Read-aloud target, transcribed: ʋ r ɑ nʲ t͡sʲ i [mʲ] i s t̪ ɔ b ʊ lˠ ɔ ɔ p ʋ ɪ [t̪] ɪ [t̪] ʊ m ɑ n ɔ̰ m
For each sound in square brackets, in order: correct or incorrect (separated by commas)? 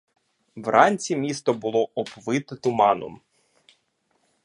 correct, correct, correct